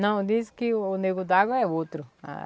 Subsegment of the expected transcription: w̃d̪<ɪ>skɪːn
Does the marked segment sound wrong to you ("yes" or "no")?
yes